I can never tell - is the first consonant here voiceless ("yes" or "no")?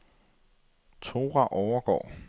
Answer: yes